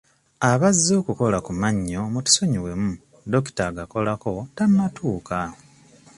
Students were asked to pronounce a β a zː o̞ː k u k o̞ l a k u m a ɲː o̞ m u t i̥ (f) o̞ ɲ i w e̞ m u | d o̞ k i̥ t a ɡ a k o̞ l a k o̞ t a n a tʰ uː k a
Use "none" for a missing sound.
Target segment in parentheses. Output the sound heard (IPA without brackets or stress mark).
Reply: s